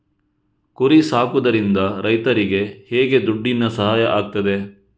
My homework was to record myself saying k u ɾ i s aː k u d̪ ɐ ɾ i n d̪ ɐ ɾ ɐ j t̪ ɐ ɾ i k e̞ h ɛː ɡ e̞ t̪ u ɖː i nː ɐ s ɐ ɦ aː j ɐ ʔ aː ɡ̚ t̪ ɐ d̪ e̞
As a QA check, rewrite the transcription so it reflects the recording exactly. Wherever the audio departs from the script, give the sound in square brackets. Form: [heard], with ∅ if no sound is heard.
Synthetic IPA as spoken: k u ɾ i s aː k u d̪ ɐ ɾ i n d̪ ɐ ɾ ɐ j t̪ ɐ ɾ i [ɡ] e̞ h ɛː ɡ e̞ [d̪] u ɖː i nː ɐ s ɐ ɦ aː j ɐ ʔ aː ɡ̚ t̪ ɐ d̪ e̞